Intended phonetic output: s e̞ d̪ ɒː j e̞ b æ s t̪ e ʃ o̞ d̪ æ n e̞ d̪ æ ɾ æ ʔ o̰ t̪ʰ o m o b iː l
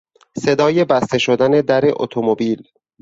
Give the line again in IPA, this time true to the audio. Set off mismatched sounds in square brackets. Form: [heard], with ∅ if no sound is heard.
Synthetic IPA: s e̞ d̪ ɒː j e̞ b æ s t̪ e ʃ o̞ d̪ æ n e̞ d̪ æ ɾ [e] ʔ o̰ t̪ʰ o m o b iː l